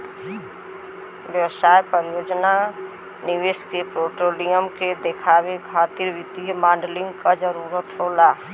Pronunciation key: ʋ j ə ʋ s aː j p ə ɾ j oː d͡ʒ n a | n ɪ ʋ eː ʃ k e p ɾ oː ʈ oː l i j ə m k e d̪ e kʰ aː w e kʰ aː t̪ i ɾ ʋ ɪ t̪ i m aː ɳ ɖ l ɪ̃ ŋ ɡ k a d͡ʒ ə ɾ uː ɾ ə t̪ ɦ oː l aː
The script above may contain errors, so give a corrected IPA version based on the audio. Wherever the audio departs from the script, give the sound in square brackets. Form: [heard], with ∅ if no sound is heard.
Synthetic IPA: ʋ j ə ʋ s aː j p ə ɾ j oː d͡ʒ n a | n ɪ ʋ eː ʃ k e p ɾ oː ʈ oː l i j ə m k e d̪ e kʰ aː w e kʰ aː t̪ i ɾ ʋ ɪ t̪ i m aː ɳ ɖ l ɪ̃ ŋ ɡ k a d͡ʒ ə ɾ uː ɾ ə t̪ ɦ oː l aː